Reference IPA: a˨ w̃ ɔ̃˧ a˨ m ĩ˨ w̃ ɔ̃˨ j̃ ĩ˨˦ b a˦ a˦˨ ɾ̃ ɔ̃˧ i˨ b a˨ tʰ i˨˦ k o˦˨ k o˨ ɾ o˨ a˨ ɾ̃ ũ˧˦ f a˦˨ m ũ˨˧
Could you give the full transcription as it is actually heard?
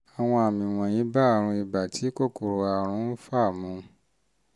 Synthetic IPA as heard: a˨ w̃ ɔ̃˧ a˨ m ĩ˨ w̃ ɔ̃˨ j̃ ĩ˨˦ b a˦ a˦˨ ɾ̃ ũ˧ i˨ b a˨ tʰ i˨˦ k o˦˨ k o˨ ɾ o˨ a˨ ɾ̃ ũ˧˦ f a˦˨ m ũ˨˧